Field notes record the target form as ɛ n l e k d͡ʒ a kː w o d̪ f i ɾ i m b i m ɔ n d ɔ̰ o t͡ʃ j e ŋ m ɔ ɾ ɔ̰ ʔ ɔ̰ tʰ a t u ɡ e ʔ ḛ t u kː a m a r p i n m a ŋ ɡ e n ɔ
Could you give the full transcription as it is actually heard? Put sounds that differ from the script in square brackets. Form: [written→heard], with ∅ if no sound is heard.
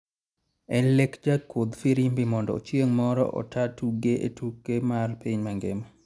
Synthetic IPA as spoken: ɛ n l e k d͡ʒ a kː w o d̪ f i ɾ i m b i m ɔ n d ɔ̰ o t͡ʃ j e ŋ m ɔ ɾ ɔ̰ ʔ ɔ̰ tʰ a t u ɡ e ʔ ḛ t u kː [a→e] m a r p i [n→ɲ] m a ŋ ɡ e [n→m] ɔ